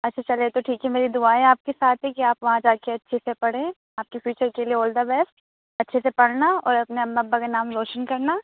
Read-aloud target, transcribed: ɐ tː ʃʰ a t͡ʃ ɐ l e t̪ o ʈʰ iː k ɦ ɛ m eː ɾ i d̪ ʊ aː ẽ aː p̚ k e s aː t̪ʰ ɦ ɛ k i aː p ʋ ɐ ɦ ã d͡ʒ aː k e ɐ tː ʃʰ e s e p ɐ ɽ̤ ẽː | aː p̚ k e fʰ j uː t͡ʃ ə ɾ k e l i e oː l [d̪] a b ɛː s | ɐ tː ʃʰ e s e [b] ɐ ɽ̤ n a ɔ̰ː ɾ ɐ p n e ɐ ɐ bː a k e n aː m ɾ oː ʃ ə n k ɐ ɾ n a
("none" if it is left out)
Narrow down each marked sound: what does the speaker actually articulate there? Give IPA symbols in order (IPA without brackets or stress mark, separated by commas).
d̪, p